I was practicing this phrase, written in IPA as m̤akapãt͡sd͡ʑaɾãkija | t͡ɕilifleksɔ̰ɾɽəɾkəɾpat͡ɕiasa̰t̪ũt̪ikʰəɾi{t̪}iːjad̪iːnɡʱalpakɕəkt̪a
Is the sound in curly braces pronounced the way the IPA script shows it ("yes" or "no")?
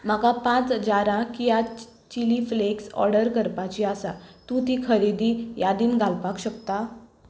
no